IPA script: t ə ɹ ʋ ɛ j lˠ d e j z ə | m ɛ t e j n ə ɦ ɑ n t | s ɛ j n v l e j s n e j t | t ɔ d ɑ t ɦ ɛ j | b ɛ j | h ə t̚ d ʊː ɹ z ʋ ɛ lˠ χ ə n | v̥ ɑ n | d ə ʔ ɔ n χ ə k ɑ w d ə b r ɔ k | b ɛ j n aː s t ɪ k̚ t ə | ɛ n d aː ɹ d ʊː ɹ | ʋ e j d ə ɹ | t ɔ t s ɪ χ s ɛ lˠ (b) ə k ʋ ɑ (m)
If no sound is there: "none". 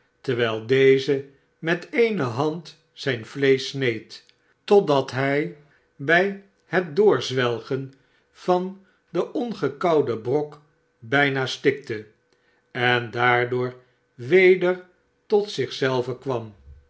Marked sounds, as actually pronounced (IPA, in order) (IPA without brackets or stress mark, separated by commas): v, m